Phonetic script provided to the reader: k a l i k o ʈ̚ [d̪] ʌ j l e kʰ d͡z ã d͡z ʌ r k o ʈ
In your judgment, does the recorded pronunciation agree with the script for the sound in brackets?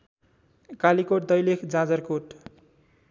yes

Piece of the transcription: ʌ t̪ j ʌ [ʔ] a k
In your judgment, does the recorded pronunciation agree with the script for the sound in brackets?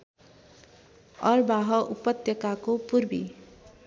no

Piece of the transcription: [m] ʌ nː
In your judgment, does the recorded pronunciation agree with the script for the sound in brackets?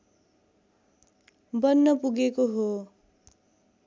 no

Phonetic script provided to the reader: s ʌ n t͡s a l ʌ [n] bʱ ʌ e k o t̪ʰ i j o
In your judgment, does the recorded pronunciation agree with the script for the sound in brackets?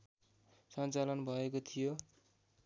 yes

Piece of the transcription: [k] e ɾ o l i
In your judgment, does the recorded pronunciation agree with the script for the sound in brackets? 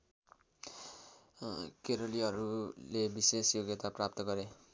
yes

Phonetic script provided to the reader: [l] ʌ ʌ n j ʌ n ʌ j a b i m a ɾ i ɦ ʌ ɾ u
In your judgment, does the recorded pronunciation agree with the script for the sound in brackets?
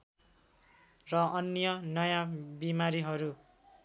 no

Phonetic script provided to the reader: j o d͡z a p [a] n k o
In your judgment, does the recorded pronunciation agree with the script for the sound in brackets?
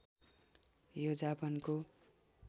no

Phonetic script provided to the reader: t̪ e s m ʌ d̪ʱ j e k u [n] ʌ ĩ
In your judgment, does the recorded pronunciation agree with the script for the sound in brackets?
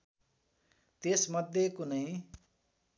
yes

